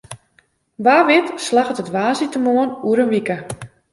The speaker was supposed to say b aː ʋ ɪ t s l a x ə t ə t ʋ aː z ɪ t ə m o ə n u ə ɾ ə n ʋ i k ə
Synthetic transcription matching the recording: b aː ʋ ɪ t s l a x ə t ə t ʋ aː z i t ə m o ə n u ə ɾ ə n ʋ i k ə